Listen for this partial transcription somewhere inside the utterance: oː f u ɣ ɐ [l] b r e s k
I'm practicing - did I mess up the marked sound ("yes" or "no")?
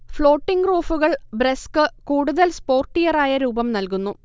yes